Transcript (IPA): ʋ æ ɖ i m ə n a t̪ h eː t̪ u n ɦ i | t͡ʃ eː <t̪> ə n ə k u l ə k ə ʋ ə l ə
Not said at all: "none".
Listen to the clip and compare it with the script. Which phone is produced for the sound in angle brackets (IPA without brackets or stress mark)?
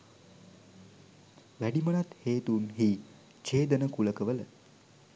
d̪